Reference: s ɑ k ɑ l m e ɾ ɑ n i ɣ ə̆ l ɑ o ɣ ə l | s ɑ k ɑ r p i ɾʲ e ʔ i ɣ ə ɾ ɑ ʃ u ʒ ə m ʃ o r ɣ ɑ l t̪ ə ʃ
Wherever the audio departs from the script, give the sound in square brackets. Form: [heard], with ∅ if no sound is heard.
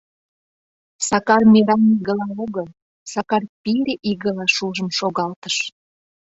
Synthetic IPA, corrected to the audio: s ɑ k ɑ [r] m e ɾ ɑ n i ɣ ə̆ l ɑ o ɣ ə l | s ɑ k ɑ r p i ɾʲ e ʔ i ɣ ə [l] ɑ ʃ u ʒ ə m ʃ o [∅] ɣ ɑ l t̪ ə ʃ